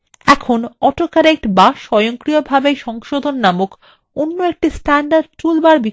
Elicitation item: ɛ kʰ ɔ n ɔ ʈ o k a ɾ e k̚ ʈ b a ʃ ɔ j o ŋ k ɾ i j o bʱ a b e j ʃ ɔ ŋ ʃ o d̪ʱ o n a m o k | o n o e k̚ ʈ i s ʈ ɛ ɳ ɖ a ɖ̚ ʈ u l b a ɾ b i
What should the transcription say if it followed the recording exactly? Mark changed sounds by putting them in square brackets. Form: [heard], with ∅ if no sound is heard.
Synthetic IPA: ɛ kʰ [o] n ɔ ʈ o k a ɾ e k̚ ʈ b a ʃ ɔ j o ŋ k ɾ i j o bʱ a b e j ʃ ɔ ŋ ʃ o d̪ʱ o [nː] a m o k | o [nː] o e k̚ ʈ i s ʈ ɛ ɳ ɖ a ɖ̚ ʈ u l b a ɾ b i

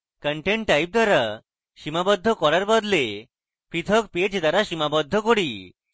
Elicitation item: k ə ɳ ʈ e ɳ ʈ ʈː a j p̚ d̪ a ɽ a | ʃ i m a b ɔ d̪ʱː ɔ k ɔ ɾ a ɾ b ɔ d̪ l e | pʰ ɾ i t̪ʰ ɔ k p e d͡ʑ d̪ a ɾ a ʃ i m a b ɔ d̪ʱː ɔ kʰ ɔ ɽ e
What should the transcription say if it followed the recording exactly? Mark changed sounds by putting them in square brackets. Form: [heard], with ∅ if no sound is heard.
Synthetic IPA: k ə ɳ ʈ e ɳ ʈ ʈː a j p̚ d̪ a [ɾ] a | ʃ i m a b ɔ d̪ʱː ɔ k ɔ ɾ a ɾ b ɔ d̪ l e | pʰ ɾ i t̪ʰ ɔ k p e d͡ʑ d̪ a ɾ a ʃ i m a b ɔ d̪ʱː ɔ [k] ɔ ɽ [i]

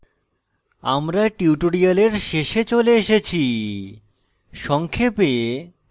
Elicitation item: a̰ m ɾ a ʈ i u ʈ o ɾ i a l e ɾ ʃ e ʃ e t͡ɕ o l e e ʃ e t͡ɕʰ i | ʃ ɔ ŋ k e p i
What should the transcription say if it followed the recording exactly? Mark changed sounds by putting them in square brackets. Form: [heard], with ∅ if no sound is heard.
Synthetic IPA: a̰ m ɾ a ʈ i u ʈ o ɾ i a l e ɾ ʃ e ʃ e t͡ɕ o l e e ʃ e t͡ɕʰ i | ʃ ɔ ŋ [kʰ] e p [e]

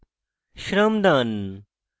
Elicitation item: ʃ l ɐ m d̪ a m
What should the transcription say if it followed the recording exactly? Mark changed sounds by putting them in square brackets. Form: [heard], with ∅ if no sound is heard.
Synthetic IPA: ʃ [ɾ] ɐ m d̪ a [n]

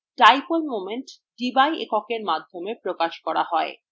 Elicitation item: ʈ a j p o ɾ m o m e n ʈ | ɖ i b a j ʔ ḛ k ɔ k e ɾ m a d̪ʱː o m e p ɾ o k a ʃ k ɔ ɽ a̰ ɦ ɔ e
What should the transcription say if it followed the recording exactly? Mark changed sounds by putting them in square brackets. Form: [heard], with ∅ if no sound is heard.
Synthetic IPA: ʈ a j p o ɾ m o m e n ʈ | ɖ i b a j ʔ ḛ k ɔ k e ɾ m a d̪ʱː o m e p ɾ o k a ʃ k ɔ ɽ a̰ ɦ ɔ e

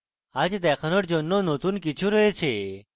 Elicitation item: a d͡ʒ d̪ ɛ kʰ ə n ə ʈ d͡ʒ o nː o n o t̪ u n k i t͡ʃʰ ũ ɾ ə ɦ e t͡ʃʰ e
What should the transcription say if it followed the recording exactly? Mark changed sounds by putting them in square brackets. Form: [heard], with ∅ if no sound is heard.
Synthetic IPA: a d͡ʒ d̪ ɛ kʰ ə n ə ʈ d͡ʒ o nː o n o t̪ u n k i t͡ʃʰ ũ ɾ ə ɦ e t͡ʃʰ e

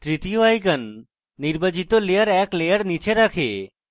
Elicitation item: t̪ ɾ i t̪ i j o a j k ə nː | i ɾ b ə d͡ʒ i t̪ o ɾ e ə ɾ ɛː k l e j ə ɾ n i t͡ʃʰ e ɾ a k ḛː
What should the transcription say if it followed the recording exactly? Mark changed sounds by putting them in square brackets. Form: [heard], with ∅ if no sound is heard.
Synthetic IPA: t̪ ɾ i t̪ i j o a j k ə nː | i ɾ b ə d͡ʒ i t̪ o [l] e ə ɾ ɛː k l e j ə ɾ n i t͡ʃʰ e ɾ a [kʰ] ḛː

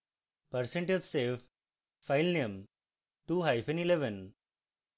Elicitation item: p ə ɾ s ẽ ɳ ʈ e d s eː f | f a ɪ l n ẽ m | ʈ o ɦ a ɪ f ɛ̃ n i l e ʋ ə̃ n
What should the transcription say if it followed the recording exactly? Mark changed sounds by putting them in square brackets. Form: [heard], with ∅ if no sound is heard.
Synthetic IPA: p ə ɾ s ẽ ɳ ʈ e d s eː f | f a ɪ l n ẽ m | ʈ [u] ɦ a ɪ f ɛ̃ n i l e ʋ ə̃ n

